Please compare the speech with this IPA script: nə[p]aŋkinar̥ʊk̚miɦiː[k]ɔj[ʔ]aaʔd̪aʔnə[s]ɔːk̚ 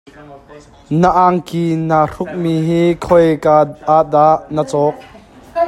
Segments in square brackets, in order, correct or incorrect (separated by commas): incorrect, incorrect, incorrect, incorrect